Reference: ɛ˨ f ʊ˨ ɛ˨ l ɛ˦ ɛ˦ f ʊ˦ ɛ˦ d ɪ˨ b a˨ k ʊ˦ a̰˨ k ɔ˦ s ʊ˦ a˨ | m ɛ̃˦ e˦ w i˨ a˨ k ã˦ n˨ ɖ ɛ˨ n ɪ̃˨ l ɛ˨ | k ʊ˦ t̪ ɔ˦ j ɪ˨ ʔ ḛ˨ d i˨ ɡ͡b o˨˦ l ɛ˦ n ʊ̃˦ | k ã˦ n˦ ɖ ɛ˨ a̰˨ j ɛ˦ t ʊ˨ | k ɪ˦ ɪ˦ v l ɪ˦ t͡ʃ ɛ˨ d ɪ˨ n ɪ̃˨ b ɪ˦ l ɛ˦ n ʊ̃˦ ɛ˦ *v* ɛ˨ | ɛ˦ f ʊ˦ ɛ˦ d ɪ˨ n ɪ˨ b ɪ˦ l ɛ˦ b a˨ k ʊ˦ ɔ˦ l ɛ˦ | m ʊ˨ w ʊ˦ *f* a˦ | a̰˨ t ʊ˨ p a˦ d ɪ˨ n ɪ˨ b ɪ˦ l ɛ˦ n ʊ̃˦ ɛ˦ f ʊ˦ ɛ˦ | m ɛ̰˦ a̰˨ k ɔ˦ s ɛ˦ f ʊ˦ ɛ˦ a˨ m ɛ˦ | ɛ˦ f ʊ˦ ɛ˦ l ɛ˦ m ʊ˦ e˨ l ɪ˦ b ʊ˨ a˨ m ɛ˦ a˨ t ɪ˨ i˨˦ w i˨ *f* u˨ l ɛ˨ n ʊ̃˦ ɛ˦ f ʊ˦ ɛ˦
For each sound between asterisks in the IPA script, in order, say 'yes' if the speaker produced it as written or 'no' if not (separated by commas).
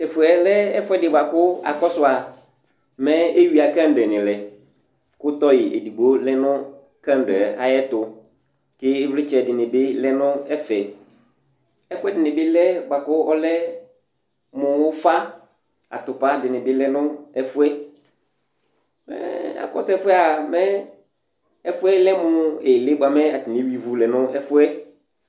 no, yes, no